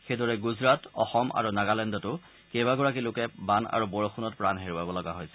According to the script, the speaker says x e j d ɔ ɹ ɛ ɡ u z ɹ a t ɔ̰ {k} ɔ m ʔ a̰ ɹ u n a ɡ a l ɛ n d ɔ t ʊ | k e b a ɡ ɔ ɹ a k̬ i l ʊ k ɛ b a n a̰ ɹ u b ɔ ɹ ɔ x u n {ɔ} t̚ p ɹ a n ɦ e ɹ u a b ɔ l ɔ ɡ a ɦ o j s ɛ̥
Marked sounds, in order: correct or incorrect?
incorrect: x, correct

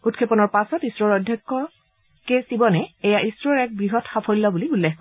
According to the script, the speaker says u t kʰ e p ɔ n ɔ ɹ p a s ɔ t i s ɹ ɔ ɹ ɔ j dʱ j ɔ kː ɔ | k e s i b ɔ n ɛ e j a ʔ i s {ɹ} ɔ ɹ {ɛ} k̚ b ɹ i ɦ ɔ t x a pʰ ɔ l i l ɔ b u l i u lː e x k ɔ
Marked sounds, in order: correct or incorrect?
correct, correct

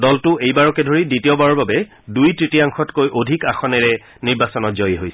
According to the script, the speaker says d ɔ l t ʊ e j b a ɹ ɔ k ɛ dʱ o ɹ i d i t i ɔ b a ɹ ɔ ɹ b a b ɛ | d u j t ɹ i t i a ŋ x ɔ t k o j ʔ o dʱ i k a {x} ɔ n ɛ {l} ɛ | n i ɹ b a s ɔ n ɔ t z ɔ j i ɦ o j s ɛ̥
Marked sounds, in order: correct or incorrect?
correct, incorrect: ɹ

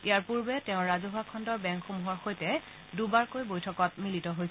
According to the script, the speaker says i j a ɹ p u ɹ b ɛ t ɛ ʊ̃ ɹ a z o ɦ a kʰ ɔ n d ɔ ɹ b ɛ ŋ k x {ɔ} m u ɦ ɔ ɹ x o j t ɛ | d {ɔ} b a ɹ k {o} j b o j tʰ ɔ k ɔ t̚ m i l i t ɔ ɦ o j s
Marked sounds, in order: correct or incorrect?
incorrect: o, incorrect: u, correct

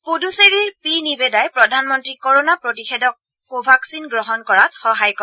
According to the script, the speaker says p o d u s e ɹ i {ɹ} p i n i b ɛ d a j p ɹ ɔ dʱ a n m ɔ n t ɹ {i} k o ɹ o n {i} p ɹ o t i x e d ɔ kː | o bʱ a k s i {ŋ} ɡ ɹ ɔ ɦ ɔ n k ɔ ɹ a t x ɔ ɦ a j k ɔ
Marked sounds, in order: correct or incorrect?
correct, correct, incorrect: a, incorrect: n

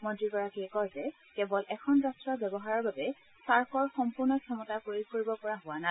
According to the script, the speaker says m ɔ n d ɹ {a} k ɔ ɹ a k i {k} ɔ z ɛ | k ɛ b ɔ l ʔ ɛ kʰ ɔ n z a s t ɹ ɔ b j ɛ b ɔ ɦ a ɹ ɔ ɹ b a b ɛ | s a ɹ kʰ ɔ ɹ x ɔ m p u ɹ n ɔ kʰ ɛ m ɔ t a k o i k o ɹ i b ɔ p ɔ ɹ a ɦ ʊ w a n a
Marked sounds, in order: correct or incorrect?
incorrect: i, correct

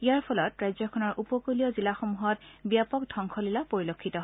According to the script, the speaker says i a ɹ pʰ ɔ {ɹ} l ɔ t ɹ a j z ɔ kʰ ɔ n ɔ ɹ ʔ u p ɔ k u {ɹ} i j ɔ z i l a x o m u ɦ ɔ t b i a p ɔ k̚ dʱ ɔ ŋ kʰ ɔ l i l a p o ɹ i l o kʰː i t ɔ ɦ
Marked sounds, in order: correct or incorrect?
incorrect: none, incorrect: l

